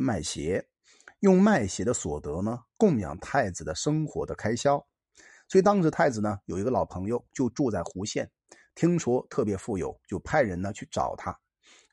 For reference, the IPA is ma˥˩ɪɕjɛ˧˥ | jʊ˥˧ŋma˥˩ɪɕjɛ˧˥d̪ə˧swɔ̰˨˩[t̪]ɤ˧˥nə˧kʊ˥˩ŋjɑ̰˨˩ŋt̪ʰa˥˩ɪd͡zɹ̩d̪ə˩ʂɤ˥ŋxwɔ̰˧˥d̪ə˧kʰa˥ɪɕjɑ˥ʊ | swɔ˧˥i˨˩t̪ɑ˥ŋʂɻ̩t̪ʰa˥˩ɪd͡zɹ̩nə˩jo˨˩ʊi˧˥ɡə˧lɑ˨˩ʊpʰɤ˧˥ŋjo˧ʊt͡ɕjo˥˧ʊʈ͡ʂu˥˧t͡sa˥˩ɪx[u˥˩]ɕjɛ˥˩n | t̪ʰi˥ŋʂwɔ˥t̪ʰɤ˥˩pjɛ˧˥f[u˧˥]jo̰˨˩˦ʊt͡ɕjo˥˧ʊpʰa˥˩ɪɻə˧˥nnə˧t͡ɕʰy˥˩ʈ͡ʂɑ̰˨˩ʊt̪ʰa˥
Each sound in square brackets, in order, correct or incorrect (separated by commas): correct, incorrect, incorrect